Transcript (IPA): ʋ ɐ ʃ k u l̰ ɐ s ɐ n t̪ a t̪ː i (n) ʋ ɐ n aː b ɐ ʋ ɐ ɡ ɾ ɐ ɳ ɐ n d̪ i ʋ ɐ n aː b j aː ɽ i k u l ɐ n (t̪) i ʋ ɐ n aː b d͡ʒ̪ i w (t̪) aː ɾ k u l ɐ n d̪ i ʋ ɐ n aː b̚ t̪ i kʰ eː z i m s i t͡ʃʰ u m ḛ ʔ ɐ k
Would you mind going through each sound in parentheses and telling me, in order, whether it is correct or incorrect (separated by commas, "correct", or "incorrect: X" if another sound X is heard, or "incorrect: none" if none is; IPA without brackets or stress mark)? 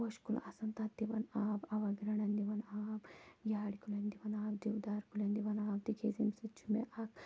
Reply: incorrect: none, incorrect: d̪, incorrect: d̪